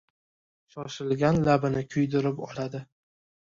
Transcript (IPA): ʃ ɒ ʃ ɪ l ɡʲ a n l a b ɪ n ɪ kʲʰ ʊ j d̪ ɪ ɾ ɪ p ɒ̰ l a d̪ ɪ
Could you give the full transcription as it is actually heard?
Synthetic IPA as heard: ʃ ɒ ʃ ɪ l ɡʲ a n l a b ɪ n ɪ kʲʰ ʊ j d̪ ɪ ɾ ɪ p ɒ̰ l a d̪ ɪ